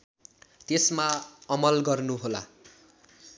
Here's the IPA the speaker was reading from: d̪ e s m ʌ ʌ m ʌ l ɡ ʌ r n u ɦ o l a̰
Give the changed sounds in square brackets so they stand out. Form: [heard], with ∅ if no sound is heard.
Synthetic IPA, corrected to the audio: [t̪] e s m [a] ʌ m ʌ l ɡ ʌ r n u ɦ o l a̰